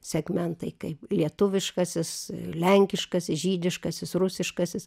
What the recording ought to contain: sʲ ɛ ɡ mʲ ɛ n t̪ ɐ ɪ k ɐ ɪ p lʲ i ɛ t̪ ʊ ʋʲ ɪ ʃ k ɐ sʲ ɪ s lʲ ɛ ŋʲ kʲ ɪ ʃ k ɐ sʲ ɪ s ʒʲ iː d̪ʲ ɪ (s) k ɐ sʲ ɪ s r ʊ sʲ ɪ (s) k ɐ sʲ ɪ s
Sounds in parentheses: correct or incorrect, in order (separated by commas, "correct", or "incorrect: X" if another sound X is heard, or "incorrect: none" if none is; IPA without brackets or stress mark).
incorrect: ʃ, incorrect: ʃ